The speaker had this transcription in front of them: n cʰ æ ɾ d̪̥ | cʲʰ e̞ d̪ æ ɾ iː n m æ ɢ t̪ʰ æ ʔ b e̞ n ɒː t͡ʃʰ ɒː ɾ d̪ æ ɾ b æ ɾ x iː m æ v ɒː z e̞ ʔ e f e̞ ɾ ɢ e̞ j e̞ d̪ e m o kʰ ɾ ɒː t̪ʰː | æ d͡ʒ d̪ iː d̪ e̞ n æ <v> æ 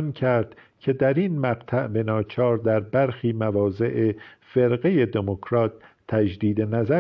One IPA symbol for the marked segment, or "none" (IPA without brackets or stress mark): z